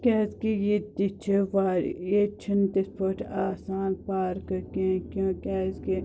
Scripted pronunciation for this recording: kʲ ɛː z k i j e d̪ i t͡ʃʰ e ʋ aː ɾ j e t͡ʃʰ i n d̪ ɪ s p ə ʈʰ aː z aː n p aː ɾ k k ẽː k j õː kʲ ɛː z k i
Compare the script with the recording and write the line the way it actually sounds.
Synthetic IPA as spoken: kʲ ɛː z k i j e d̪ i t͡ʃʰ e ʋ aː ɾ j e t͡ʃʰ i n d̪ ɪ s p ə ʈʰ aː s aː n p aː ɾ k k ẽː k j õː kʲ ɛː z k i